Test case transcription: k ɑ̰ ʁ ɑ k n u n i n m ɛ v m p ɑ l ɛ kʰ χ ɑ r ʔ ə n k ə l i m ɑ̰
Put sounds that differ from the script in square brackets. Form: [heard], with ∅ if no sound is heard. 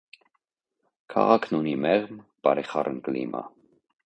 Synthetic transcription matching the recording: [kʰ] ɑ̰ ʁ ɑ [kʰ] n u n i [∅] m ɛ [ʁ] m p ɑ [ɾ] ɛ [∅] χ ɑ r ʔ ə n k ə l i m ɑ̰